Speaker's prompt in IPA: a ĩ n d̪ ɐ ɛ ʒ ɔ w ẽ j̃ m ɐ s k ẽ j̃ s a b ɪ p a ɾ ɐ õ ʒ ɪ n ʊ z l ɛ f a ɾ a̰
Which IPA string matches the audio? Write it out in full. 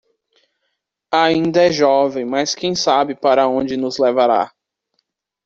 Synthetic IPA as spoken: a ĩ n d̪ ɐ ɛ ʒ ɔ v ẽ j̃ m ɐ s k ẽ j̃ s a b ɪ p a ɾ ɐ õ d͡ʒ ɪ n ʊ z l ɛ v a ɾ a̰